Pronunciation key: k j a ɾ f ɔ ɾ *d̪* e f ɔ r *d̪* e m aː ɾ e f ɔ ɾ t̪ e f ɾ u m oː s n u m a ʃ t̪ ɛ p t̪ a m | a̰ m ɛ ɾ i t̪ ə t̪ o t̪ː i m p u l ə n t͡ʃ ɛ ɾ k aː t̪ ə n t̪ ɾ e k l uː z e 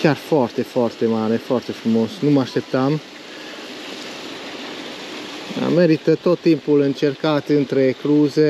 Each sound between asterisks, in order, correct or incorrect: incorrect: t̪, incorrect: t̪

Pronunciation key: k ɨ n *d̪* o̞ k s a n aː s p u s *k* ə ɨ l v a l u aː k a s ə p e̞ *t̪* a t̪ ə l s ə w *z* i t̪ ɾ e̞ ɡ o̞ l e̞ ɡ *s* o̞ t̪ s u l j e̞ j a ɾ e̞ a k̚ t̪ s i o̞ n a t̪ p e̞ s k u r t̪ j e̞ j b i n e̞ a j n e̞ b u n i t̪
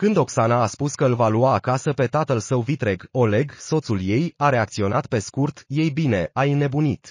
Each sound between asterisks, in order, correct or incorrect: correct, correct, correct, incorrect: v, correct

